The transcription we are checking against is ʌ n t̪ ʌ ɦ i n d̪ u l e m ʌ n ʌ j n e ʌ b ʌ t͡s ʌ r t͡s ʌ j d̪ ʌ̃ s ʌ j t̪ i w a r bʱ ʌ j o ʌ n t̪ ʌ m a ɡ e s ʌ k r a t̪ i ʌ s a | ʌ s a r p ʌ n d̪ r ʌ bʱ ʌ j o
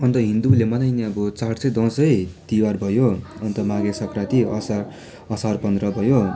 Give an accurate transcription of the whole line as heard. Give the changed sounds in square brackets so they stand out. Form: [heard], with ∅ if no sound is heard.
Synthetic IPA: ʌ n t̪ ʌ ɦ i n d̪ u l e m ʌ n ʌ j n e ʌ b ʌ t͡s [a] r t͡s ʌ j d̪ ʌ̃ s ʌ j t̪ i w a r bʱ ʌ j o ʌ n t̪ ʌ m a ɡ e s ʌ k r a t̪ i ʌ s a | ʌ s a r p ʌ n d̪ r ʌ bʱ ʌ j o